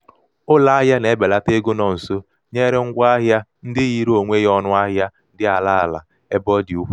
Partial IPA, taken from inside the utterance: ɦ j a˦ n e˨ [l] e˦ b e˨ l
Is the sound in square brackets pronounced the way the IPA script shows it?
no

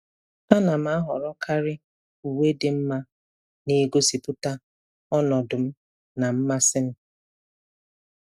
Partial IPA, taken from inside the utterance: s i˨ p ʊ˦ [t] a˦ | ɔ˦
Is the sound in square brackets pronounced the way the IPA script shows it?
yes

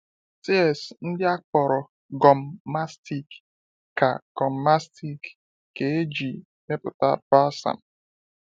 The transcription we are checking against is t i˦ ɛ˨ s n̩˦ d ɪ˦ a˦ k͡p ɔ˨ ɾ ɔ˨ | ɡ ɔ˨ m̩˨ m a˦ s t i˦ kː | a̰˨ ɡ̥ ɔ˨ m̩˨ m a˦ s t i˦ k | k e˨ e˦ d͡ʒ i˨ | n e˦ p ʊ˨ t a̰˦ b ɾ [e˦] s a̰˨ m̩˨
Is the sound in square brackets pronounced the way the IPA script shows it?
no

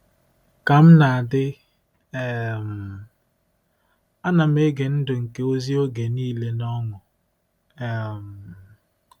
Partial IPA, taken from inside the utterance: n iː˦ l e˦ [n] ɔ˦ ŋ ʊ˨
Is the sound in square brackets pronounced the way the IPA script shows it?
yes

